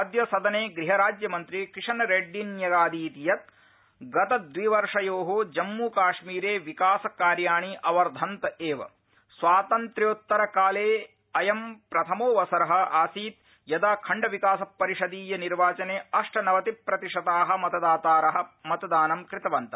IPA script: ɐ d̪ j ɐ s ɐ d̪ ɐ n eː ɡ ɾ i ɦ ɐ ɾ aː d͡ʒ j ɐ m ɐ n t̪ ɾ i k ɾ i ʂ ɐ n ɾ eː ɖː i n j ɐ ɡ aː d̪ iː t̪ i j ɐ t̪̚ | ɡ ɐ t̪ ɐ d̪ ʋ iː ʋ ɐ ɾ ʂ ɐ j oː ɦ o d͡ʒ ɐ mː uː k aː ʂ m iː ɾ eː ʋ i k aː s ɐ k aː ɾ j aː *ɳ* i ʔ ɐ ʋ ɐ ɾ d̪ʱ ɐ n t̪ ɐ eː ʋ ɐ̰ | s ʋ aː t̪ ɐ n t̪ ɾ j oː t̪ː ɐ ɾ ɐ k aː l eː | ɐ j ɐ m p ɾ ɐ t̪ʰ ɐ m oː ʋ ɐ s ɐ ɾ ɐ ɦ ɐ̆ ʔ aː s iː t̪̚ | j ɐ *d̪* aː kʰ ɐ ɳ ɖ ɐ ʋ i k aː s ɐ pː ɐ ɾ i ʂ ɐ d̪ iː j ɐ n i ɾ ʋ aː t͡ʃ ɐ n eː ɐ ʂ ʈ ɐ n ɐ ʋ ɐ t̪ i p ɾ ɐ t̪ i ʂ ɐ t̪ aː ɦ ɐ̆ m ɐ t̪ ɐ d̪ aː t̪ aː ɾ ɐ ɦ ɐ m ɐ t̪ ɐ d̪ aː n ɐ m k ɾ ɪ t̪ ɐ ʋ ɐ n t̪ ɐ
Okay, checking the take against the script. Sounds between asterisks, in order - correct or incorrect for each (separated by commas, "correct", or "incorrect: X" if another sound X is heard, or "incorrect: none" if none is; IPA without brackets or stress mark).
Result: correct, correct